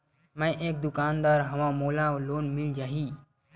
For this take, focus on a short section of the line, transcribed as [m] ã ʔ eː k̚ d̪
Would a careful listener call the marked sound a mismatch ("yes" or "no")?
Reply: no